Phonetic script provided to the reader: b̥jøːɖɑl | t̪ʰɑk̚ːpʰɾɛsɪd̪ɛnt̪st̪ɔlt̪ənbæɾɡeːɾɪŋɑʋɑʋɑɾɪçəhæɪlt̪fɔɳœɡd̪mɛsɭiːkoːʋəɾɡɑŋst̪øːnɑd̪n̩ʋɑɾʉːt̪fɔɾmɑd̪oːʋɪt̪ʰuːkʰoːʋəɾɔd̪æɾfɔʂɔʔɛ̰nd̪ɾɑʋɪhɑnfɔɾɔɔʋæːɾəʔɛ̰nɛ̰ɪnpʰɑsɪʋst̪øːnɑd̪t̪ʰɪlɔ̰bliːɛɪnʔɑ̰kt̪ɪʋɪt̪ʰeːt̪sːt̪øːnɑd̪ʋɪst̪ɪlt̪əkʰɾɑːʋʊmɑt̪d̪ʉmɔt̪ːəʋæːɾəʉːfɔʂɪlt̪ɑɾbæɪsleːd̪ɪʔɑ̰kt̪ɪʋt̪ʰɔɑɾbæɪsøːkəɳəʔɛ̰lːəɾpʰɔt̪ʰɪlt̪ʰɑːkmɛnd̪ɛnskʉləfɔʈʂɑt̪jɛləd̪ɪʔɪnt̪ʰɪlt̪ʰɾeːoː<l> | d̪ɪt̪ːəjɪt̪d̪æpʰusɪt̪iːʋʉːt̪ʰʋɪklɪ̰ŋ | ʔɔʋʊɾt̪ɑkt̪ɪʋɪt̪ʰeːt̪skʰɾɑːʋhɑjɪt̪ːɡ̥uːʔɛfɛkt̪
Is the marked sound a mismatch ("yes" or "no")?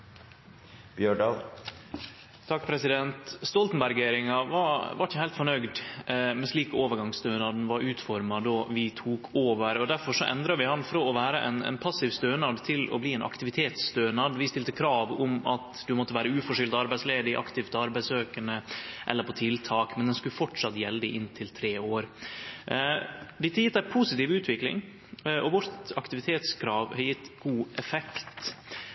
yes